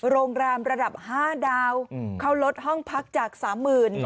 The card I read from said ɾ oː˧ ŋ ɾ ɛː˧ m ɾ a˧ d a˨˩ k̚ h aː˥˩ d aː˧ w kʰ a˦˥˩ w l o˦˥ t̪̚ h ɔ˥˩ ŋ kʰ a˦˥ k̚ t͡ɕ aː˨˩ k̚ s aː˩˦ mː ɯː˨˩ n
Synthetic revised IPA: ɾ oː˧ ŋ ɾ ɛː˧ m ɾ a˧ d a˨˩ p̚ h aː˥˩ d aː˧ w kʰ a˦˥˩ w l o˦˥ t̪̚ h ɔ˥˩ ŋ pʰ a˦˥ k̚ t͡ɕ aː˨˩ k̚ s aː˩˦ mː ɯː˨˩ n